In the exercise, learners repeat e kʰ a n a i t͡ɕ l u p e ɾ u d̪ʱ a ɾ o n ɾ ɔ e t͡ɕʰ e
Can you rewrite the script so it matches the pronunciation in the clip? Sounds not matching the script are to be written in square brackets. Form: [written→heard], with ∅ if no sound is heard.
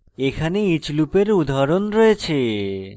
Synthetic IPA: e kʰ a n [a→e] i t͡ɕ l u p e ɾ u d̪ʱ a ɾ o n ɾ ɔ e t͡ɕʰ e